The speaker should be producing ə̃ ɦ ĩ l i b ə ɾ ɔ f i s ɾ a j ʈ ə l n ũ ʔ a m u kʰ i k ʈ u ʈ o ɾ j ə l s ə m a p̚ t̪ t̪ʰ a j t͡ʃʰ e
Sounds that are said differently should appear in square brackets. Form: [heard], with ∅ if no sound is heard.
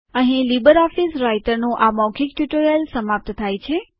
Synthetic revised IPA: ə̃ ɦ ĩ l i b ə ɾ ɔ f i s ɾ a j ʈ ə [ɾ] n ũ ʔ a m [ɔ] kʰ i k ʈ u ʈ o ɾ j ə l s ə m a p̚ t̪ t̪ʰ a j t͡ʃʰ e